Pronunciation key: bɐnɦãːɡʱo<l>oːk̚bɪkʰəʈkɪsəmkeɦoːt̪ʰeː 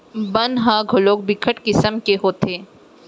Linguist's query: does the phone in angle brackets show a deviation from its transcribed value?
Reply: no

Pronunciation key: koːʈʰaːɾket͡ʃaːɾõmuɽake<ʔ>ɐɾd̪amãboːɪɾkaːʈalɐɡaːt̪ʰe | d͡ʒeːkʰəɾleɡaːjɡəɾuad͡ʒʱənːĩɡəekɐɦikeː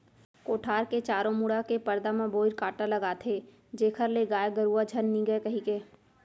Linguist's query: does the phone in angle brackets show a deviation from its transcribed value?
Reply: yes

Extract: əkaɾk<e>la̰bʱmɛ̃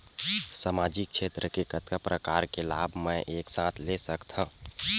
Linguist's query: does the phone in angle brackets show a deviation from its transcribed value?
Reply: no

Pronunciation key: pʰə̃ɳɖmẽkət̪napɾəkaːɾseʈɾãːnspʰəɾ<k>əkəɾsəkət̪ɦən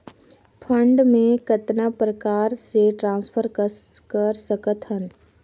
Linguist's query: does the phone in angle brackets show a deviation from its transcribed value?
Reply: no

